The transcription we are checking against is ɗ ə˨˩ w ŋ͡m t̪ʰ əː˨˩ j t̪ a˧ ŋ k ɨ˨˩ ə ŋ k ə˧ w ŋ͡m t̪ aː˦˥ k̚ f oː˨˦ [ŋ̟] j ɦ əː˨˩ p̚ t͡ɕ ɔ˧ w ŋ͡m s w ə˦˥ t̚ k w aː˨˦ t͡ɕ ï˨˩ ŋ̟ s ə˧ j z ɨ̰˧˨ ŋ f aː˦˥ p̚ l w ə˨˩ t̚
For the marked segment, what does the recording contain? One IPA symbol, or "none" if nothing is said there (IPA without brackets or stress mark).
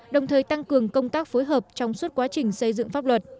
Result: none